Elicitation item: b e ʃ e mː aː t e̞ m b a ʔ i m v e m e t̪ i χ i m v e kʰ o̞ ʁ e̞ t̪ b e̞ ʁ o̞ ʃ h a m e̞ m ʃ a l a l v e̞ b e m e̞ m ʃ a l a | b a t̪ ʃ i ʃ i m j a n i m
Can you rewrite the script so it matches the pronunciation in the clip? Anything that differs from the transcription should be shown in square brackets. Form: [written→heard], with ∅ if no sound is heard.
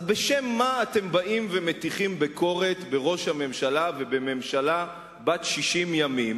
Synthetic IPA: b e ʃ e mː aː t e̞ m b a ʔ i m v e m e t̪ i χ i m [v→b] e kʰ o̞ ʁ e̞ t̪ b e̞ ʁ o̞ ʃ h a m e̞ m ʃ a l a [l→∅] v e̞ b e m e̞ m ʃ a l a | b a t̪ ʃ i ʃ i m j a [n→m] i m